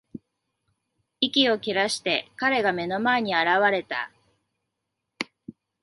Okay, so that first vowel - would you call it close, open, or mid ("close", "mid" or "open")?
close